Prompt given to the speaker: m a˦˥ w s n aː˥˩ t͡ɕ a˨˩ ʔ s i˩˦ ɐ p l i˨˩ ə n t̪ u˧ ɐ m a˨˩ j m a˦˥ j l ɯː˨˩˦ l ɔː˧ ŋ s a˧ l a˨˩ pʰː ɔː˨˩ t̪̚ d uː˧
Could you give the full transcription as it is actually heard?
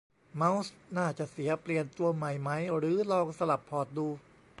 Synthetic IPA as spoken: m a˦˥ w s n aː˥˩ t͡ɕ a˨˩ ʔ s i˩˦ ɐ p l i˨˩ ə n t̪ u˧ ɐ m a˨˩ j m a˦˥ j ɾ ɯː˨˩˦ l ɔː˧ ŋ s a˧ l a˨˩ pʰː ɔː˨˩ t̪̚ d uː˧

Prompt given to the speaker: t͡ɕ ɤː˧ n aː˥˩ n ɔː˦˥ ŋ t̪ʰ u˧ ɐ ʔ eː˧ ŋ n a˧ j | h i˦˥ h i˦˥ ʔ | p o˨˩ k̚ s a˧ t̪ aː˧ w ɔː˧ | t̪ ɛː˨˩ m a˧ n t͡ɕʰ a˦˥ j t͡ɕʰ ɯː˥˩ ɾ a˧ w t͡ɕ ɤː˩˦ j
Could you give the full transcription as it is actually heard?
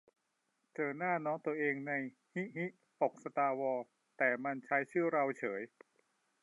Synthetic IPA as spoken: t͡ɕ ɤː˧ n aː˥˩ n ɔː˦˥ ŋ t̪ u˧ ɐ ʔ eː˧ ŋ n a˧ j | h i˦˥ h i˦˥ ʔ | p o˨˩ k̚ s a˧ t̪ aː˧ w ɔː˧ | t̪ ɛː˨˩ m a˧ n t͡ɕʰ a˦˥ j t͡ɕʰ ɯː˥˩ ɾ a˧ w t͡ɕʰ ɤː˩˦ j

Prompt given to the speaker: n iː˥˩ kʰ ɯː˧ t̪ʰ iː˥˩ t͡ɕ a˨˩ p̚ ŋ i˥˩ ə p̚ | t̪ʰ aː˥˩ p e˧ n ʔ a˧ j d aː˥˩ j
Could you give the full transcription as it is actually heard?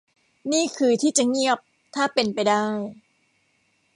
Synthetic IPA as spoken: n iː˥˩ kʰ ɯː˧ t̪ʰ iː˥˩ t͡ɕ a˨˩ ŋ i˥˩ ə p̚ | t̪ʰ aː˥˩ p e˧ n p a˧ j d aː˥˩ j

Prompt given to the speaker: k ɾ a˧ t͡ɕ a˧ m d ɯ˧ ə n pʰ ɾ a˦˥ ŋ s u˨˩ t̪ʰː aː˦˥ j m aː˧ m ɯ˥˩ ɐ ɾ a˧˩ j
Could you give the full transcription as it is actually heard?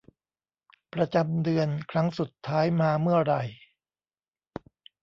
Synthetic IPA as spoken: p ɾ a˧ t͡ɕ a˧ m d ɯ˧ ə n kʰ ɾ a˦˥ ŋ s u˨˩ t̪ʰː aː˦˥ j m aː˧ m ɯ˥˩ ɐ ɾ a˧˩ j

